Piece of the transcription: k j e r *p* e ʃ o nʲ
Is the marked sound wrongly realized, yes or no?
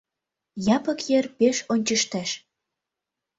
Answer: no